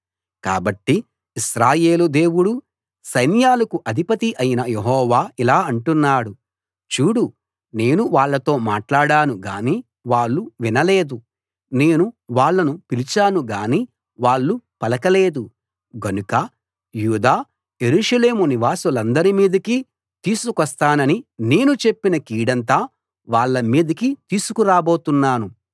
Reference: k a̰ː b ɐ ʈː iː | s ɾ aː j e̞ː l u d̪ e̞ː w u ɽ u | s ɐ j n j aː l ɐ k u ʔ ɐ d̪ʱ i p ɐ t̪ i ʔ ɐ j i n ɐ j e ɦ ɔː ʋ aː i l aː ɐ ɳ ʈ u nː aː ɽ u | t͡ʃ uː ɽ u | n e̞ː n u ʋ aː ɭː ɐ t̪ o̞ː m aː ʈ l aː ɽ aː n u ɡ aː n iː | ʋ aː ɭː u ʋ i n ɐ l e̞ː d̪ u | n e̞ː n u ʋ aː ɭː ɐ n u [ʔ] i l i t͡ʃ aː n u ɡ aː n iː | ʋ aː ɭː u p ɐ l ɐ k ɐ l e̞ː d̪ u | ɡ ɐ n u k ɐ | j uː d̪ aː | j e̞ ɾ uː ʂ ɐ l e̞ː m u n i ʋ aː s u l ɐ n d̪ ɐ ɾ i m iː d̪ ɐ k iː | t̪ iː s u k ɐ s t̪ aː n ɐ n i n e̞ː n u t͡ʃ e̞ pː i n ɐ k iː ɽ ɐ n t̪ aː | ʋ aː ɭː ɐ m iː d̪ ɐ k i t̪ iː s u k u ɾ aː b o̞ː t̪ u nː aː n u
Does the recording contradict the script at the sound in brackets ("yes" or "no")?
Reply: yes